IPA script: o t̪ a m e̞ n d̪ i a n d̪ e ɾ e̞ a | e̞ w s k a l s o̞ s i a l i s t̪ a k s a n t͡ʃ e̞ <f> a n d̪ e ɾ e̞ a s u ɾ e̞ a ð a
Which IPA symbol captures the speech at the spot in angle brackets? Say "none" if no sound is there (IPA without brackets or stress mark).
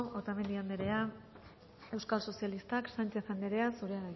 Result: θ